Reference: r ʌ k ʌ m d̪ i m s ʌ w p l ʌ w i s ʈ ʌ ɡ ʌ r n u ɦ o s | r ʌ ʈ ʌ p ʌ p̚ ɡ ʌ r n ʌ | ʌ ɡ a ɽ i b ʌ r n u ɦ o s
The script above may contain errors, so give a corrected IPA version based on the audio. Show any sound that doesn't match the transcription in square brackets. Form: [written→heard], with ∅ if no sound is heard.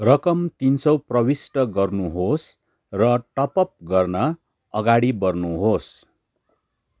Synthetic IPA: r ʌ k ʌ m [d̪→t̪] i [m→n] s ʌ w p [l→r] ʌ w i s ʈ ʌ ɡ ʌ r n u ɦ o s | r ʌ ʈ ʌ p ʌ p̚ ɡ ʌ r n ʌ | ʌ ɡ a ɽ i b ʌ r n u ɦ o s